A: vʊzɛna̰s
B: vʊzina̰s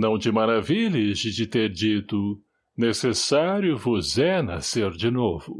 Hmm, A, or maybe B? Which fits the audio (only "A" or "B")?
A